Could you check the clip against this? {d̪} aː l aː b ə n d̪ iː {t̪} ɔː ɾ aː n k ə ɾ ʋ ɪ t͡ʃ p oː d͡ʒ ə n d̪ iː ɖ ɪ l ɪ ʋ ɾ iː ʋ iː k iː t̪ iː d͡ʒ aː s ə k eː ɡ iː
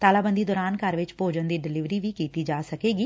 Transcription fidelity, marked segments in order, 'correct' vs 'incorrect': incorrect: t̪, incorrect: d̪

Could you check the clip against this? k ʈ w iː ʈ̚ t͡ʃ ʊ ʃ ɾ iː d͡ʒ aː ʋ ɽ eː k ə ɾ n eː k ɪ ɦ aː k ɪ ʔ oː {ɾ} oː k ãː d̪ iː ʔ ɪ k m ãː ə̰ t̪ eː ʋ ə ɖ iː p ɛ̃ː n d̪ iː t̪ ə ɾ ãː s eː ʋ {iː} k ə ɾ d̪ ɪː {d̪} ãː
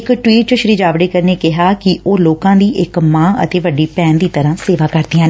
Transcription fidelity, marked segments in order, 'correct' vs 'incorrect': incorrect: l, incorrect: aː, incorrect: none

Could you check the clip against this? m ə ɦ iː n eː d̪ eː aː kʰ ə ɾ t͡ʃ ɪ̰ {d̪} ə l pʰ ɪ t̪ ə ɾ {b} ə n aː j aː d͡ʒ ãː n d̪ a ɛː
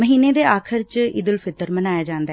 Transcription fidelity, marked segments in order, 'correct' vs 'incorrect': correct, incorrect: m

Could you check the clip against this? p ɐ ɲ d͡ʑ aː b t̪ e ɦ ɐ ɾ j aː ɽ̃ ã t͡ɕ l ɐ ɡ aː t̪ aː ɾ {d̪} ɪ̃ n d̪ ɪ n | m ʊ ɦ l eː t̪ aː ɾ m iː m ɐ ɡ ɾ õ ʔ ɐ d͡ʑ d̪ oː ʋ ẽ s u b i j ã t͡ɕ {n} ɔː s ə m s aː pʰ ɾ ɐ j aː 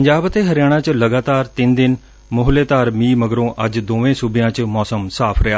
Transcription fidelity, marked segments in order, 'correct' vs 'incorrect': incorrect: t̪, incorrect: m

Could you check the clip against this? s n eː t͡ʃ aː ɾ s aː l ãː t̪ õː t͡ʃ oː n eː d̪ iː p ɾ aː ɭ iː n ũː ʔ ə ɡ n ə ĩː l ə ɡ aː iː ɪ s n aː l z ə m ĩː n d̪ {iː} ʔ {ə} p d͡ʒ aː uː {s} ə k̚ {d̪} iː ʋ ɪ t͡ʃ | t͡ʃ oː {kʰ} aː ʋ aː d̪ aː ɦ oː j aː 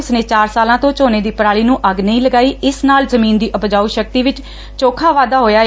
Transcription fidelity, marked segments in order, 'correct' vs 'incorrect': correct, correct, incorrect: ʃ, incorrect: t̪, correct

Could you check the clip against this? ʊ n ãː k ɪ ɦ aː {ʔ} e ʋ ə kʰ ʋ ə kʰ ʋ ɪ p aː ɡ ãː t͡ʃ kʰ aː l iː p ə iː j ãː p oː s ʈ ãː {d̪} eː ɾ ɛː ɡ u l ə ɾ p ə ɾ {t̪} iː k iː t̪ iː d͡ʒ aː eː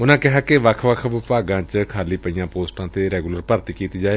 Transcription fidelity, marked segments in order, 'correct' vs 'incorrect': incorrect: k, incorrect: t̪, correct

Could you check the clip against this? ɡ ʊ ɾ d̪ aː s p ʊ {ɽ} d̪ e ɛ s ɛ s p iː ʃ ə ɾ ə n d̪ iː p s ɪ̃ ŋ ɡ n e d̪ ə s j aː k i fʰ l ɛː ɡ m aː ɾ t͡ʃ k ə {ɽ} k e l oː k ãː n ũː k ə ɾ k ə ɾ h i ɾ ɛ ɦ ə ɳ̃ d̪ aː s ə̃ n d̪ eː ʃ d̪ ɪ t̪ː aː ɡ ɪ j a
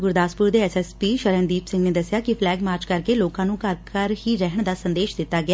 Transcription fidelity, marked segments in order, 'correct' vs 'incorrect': incorrect: ɾ, incorrect: ɾ

